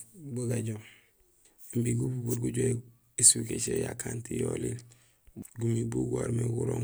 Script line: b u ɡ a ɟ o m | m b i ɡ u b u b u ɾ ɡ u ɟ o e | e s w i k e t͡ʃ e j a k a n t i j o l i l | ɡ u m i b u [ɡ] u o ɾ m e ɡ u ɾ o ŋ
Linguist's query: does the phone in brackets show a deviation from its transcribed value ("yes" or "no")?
no